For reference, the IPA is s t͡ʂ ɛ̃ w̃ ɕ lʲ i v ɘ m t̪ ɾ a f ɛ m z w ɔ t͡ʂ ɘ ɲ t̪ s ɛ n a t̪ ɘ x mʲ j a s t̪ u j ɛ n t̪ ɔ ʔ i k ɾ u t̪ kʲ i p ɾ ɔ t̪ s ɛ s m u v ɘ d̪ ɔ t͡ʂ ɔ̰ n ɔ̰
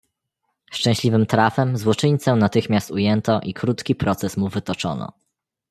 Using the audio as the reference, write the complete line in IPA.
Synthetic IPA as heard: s t͡ʂ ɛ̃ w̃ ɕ lʲ i v ɘ m t̪ ɾ a f ɛ m z w ɔ t͡ʂ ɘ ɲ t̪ s ɛ n a t̪ ɘ x mʲ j a s t̪ u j ɛ n t̪ ɔ ʔ i k ɾ u t̪ kʲ i p ɾ ɔ t̪ s ɛ s m u v ɘ t̪ ɔ t͡ʂ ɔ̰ n ɔ̰